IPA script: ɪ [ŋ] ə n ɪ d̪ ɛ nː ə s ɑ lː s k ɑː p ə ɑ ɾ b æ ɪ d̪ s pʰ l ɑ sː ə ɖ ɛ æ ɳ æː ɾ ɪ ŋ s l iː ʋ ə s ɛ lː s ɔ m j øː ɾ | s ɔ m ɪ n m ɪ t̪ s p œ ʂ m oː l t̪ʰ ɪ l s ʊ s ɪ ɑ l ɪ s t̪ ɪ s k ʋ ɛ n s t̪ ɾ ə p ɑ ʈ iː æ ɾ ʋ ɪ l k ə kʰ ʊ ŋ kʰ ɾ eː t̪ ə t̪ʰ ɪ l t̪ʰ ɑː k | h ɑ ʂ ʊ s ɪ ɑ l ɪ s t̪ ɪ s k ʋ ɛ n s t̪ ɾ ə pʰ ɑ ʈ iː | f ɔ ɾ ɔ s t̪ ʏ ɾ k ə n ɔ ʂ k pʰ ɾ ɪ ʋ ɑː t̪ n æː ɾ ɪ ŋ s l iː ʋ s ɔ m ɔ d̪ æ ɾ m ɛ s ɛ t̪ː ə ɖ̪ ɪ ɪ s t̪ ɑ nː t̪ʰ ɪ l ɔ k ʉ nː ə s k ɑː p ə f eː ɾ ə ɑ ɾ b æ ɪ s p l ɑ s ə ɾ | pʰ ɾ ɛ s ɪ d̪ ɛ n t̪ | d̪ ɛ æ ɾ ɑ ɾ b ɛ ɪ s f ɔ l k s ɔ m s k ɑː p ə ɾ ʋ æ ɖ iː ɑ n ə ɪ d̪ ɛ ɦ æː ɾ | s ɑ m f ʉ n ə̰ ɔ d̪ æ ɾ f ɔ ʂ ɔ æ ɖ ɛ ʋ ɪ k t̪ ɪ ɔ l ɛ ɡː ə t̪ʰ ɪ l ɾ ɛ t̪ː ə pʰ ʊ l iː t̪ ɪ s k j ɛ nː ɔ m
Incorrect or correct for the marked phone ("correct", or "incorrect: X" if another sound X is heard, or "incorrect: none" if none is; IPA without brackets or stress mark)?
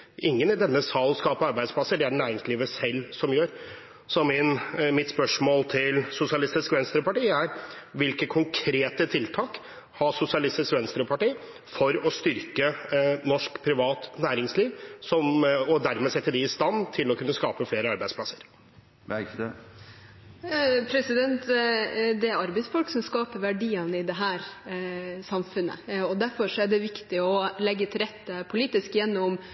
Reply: incorrect: ŋː